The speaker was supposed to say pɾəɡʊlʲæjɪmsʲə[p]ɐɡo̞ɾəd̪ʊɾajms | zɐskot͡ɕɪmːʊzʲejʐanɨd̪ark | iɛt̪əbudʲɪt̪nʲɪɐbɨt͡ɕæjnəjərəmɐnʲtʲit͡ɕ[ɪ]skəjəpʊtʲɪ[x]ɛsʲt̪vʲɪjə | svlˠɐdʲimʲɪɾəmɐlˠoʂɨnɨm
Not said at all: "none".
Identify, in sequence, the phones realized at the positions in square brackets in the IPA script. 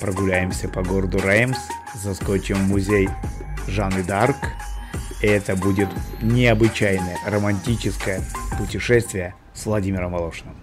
p, ɪ, ʂ

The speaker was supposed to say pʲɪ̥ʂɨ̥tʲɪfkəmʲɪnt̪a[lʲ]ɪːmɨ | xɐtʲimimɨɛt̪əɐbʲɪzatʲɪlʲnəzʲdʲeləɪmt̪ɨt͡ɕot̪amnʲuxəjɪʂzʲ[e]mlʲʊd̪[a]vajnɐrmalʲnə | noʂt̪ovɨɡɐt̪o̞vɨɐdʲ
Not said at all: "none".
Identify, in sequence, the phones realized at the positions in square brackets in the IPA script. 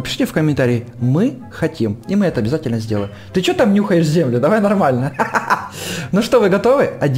ɾʲ, e, ɐ

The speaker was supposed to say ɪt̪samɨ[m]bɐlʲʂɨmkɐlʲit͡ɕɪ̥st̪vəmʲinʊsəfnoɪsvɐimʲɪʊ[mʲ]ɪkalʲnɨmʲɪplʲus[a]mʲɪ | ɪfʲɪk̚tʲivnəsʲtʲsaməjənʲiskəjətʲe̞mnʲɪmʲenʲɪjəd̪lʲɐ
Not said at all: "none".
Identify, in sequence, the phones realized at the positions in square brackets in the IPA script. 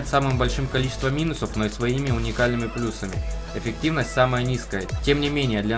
m, nʲ, ə

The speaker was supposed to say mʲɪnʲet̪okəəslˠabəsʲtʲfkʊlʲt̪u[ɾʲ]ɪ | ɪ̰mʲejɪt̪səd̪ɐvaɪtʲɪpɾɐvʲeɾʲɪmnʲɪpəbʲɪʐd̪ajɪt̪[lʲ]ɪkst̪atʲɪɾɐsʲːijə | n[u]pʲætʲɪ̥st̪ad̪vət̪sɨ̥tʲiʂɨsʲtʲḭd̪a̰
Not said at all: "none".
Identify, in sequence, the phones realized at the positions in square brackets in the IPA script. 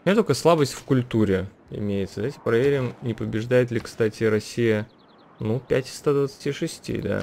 ɾʲ, lʲ, u

